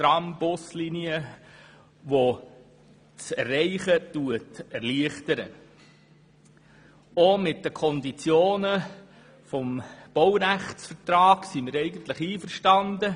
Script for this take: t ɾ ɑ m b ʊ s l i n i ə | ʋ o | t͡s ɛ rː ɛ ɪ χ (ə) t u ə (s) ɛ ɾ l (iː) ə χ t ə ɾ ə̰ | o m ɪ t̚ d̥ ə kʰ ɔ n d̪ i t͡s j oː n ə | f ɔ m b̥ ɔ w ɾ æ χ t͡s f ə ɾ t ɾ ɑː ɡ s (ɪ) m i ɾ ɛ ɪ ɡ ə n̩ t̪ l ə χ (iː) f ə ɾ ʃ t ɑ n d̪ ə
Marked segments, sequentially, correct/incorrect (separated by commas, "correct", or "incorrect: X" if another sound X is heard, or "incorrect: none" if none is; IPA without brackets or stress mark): correct, incorrect: t, incorrect: i, incorrect: i, correct